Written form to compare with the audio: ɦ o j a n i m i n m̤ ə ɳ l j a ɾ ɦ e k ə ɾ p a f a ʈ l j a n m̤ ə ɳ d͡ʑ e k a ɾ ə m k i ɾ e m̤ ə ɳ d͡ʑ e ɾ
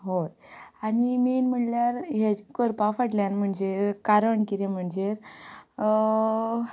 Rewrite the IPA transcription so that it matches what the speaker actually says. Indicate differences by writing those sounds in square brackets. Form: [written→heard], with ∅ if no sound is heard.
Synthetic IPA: ɦ o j a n i m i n m̤ ə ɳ l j a ɾ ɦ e k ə ɾ p a f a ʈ l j a n m̤ ə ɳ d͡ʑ e k a ɾ ə [m→ɳ] k i ɾ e m̤ ə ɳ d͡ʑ e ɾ